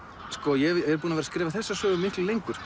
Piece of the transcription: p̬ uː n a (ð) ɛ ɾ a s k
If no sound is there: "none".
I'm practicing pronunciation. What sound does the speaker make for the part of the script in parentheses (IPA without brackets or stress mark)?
v